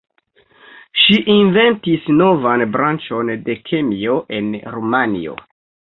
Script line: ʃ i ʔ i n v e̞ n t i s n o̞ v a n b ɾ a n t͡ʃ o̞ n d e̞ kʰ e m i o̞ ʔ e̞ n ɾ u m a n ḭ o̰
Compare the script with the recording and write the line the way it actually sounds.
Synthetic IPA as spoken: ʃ i ʔ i n v e̞ n t i s n o̞ v a n b ɾ a n t͡ʃ o̞ n d e̞ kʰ e m i o̞ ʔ e̞ n ɾ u m a n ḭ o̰